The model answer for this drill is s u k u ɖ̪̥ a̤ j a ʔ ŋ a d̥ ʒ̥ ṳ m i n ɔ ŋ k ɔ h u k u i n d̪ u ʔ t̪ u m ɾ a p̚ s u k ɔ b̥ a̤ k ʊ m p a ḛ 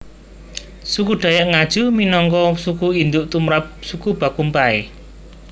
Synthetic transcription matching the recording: s u k u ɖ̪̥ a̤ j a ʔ ŋ a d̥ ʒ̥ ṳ m i n ɔ ŋ k ɔ s u k u i n d̪ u ʔ t̪ u m ɾ a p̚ s u k u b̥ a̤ k u m p a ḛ